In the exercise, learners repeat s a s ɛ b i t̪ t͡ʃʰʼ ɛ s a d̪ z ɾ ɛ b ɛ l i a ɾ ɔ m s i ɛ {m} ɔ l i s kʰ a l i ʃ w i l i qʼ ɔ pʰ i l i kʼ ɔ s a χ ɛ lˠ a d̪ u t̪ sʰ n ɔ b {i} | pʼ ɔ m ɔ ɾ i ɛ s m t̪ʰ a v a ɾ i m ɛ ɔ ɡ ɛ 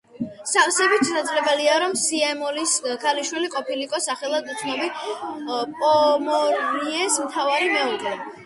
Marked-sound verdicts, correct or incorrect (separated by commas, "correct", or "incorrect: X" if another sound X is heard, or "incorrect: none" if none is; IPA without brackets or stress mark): correct, correct